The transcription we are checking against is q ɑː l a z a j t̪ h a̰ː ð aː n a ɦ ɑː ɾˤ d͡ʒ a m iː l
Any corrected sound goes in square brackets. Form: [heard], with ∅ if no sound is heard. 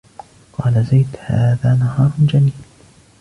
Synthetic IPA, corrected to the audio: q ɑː l a z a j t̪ h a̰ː ð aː n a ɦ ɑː ɾˤ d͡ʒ a m iː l